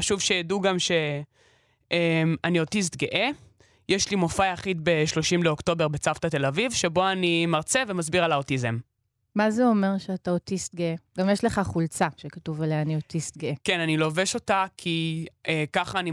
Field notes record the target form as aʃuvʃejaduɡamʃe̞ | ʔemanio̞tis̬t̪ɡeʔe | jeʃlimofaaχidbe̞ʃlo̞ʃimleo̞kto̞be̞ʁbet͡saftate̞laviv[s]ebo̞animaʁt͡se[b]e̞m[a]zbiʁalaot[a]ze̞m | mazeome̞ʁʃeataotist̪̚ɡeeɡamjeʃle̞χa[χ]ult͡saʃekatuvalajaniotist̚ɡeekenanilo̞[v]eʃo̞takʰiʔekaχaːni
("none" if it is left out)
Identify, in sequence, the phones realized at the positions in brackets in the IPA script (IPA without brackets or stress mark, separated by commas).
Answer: ʃ, v, a, i, χ, v